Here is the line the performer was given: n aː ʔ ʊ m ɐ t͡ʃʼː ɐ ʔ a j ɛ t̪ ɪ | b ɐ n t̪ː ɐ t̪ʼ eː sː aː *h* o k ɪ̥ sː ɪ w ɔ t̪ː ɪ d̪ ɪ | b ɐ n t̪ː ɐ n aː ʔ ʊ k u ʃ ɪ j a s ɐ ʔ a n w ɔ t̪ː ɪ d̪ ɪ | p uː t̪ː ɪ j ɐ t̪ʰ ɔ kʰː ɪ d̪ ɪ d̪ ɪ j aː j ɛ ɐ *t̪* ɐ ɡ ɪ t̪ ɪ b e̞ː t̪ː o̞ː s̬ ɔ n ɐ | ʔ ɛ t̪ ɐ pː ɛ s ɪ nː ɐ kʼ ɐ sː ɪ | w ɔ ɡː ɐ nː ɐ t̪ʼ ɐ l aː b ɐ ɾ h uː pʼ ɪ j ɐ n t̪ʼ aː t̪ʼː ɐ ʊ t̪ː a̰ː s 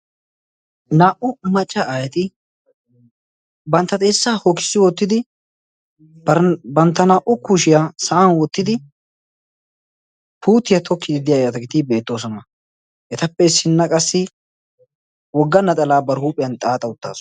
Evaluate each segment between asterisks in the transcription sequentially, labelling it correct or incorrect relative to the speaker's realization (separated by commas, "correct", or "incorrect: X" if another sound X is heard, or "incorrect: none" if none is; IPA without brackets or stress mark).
correct, correct